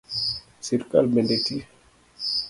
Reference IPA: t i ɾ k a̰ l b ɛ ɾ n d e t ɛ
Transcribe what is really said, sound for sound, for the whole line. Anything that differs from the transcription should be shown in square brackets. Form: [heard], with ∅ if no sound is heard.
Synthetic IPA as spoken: [s] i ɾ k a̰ l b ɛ [∅] n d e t [i]

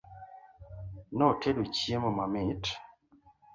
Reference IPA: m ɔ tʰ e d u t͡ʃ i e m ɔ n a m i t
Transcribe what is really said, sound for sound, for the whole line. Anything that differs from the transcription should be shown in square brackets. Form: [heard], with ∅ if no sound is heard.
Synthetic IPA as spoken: [n] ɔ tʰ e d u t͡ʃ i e m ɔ [m] a m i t

